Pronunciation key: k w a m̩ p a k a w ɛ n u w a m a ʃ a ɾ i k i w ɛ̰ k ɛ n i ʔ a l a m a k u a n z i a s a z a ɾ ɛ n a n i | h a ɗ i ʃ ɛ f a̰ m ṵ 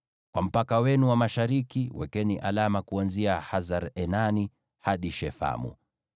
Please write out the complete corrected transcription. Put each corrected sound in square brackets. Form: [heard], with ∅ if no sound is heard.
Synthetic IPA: k w a m̩ p a k a w ɛ n u w a m a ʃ a ɾ i k i w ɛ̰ k ɛ n i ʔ a l a m a k u a n z i a [h] a z a ɾ ɛ n a n i | h a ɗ i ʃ ɛ f a̰ m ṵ